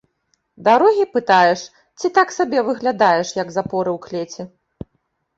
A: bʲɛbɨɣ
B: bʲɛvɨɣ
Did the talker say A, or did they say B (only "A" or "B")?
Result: B